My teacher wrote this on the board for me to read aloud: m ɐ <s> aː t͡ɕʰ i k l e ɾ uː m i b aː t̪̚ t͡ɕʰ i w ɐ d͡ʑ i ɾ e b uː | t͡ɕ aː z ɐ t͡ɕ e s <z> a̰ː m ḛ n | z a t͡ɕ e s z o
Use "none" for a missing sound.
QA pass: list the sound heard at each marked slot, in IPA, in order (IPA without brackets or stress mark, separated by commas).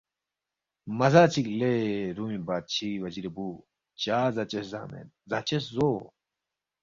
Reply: z, z